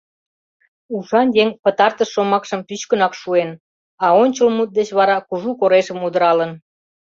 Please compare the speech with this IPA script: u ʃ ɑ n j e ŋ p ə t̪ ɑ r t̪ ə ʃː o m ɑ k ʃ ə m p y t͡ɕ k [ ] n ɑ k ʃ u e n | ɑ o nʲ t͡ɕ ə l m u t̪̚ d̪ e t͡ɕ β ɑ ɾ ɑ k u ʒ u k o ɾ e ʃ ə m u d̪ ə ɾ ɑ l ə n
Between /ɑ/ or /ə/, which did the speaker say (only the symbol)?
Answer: ə